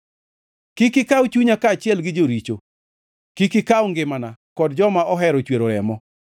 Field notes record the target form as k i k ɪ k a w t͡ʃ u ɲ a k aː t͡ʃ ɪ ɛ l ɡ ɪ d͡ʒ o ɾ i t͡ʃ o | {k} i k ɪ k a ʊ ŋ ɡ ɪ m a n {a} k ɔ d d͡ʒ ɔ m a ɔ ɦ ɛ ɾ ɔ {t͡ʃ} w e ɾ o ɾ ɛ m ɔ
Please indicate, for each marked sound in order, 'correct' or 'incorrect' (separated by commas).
correct, correct, correct